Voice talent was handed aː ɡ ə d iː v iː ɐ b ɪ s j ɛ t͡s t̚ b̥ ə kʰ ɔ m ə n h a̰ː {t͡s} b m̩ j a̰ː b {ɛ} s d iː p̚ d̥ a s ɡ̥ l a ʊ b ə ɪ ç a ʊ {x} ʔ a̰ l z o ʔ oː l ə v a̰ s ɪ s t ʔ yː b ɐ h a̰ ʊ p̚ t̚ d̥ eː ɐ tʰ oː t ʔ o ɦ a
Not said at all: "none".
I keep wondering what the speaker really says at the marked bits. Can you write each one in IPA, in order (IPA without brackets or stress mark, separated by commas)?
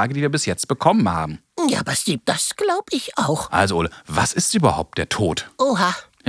none, a, x